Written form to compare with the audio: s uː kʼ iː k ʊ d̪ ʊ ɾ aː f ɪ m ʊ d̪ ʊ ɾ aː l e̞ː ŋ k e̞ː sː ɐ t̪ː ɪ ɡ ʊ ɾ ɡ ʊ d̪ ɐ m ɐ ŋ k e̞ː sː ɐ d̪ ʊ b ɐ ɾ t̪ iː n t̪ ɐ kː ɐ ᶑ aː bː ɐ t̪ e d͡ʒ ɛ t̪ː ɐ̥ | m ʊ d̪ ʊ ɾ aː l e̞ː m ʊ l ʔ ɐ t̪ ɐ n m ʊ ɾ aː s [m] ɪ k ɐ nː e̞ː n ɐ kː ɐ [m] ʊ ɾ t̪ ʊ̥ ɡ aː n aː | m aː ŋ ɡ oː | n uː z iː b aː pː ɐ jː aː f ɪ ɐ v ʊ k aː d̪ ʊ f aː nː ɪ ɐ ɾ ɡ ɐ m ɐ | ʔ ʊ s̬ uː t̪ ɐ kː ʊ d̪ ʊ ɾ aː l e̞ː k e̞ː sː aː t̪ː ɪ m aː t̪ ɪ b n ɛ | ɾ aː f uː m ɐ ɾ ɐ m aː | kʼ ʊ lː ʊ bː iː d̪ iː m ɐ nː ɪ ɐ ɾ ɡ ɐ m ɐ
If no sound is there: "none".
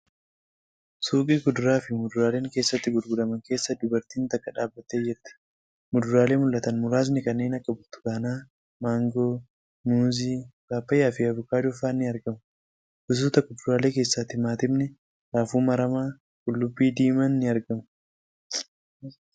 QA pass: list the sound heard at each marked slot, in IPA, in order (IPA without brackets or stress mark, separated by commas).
n, b